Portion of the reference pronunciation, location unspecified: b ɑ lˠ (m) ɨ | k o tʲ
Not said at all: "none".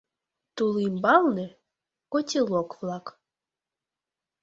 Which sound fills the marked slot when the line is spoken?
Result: n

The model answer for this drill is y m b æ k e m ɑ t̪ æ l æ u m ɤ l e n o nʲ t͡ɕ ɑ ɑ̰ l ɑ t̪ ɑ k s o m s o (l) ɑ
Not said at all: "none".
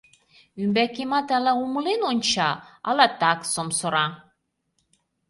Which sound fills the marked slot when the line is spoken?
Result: ɾ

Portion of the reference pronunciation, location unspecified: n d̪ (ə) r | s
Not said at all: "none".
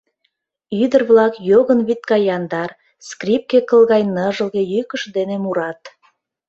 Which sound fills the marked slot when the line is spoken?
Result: ɑ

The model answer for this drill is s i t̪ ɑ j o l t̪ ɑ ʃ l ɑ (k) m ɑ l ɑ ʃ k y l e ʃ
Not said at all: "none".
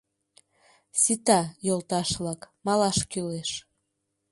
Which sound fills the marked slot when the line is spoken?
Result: k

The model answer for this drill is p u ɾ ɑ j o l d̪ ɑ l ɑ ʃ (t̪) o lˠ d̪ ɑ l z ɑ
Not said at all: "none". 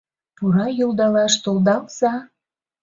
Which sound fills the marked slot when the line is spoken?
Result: t̪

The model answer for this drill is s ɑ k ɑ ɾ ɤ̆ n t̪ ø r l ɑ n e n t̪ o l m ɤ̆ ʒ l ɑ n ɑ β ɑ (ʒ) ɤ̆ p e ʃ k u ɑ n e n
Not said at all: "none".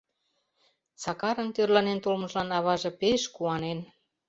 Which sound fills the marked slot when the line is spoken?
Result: ʒ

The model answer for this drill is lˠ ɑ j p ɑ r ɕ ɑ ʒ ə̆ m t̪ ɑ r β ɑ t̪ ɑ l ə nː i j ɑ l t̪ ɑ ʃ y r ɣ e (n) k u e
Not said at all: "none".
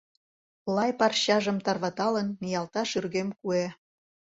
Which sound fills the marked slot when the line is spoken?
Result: m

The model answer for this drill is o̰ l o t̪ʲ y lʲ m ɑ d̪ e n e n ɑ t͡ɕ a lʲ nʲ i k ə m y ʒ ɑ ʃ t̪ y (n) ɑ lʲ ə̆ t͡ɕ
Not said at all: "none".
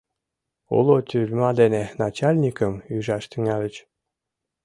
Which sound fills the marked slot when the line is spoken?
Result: ŋ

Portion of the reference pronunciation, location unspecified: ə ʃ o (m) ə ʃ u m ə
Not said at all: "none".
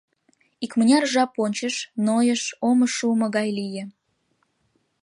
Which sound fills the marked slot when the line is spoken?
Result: m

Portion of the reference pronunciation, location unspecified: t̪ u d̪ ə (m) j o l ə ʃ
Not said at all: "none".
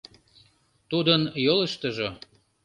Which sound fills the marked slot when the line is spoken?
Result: n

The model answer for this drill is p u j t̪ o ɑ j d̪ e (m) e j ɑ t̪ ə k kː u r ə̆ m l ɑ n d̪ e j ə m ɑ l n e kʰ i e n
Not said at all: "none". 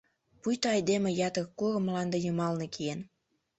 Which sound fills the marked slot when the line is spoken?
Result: m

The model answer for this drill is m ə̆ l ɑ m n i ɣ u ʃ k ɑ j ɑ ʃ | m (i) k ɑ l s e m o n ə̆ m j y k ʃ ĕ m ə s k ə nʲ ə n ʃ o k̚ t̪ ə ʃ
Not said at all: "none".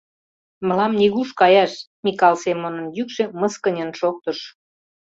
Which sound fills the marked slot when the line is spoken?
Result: i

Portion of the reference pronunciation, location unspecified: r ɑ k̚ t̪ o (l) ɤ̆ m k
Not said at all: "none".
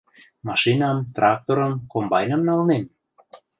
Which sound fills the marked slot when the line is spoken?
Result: ɾ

